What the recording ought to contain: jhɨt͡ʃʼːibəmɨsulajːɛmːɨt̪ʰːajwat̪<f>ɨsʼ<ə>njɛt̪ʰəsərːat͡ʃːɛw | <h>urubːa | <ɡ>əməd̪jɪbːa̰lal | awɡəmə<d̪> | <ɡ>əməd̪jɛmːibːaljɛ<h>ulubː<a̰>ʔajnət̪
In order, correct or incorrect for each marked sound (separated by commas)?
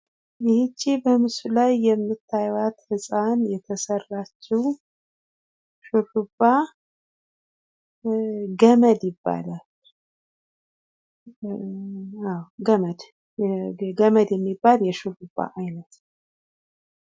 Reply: incorrect, incorrect, incorrect, correct, correct, correct, incorrect, correct